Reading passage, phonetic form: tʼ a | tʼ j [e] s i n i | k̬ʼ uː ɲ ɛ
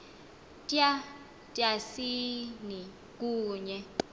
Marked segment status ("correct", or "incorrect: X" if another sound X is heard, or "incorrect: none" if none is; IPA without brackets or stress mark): incorrect: a